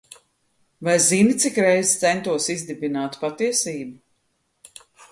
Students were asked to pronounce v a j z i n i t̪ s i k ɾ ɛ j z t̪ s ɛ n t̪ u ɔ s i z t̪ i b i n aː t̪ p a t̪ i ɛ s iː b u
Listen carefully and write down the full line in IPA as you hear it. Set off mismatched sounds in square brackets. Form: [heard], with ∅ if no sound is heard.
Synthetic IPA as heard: v a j z i n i t̪ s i k ɾ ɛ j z t̪ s ɛ n t̪ u ɔ s i z [d̪] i b i n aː t̪ p a t̪ i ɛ s iː b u